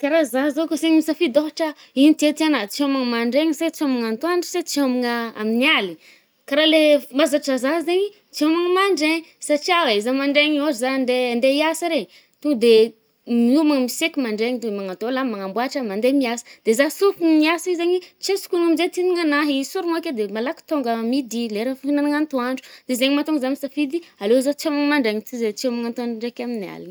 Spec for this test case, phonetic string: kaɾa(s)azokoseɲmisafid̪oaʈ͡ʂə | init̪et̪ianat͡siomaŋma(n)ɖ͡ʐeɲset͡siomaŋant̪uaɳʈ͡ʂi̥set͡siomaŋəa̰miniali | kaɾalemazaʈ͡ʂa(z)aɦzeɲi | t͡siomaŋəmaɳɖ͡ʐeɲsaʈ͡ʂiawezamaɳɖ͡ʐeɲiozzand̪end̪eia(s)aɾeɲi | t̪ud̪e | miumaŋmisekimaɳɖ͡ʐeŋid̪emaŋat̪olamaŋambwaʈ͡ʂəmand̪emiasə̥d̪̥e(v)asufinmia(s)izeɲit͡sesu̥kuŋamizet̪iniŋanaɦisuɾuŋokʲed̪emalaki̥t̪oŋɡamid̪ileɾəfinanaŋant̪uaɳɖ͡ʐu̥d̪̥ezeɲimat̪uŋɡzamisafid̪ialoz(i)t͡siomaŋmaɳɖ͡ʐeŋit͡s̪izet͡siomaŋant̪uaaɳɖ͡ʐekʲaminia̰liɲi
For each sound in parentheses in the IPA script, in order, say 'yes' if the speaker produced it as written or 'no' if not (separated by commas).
no, no, yes, yes, no, yes, no